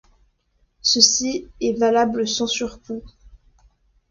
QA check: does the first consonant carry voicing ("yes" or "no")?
no